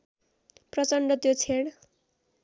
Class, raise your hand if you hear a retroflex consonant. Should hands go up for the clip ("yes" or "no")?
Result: yes